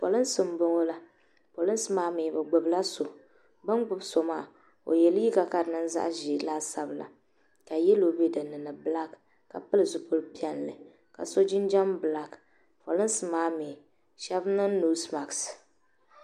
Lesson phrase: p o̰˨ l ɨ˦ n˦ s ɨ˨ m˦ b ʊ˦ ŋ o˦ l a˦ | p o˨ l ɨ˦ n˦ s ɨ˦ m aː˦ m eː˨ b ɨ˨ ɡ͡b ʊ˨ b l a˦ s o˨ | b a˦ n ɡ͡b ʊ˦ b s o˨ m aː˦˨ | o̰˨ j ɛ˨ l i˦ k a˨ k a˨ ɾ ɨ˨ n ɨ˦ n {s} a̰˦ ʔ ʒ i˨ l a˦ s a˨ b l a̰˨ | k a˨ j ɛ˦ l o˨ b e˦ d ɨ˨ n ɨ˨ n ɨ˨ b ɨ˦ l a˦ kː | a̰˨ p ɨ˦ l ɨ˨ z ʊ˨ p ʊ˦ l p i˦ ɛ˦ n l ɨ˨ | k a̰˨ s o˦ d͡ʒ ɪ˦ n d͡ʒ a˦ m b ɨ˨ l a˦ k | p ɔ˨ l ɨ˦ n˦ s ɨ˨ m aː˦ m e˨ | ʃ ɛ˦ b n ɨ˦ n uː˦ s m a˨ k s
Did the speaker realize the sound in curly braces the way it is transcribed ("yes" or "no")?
no